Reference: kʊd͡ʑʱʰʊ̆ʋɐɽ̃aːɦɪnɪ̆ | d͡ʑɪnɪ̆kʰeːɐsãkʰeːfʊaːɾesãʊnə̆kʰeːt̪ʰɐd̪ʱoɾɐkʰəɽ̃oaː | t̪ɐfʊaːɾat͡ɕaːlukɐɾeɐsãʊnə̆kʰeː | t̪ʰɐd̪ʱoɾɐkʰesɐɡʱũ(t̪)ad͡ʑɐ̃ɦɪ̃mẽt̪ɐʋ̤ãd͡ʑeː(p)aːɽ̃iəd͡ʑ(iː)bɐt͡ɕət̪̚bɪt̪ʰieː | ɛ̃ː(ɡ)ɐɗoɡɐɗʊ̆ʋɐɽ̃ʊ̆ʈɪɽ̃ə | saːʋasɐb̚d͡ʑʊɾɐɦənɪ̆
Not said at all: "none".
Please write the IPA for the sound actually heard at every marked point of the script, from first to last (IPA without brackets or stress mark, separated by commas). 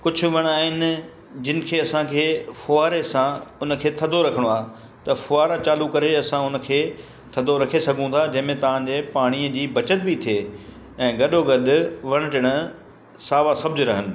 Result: t̪ʰ, p, iː, ɡ